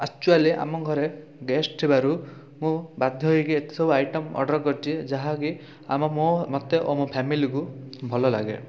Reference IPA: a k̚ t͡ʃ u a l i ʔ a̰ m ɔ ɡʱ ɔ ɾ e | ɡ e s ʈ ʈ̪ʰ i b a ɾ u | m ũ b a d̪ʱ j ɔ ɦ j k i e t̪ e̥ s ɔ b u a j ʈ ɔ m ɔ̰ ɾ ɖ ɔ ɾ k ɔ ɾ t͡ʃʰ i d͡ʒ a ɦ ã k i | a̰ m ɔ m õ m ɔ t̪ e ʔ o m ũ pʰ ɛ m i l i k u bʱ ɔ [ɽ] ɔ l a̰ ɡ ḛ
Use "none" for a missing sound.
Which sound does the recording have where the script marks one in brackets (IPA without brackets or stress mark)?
l